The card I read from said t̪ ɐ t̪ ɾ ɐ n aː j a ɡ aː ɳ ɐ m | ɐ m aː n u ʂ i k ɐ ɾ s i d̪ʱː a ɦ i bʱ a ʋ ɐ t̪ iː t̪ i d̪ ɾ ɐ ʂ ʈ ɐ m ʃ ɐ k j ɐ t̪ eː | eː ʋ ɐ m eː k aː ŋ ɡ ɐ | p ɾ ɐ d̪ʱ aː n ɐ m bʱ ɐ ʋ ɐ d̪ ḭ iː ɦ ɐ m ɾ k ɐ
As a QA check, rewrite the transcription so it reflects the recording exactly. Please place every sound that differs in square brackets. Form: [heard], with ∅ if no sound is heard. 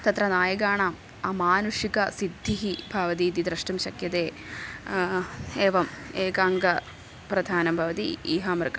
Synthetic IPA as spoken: t̪ ɐ t̪ ɾ ɐ n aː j [ɐ] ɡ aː ɳ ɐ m | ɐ m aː n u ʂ i k ɐ [∅] s i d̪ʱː [i] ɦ i bʱ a ʋ ɐ t̪ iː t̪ i d̪ ɾ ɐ ʂ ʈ ɐ m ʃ ɐ k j ɐ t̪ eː | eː ʋ ɐ m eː k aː ŋ ɡ ɐ | p ɾ ɐ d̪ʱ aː n ɐ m bʱ ɐ ʋ ɐ [t̪] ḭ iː ɦ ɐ m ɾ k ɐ